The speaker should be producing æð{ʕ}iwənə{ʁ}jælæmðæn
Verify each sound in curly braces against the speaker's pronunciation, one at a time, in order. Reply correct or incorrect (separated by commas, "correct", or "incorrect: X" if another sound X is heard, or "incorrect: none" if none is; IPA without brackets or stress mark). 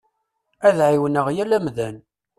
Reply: correct, correct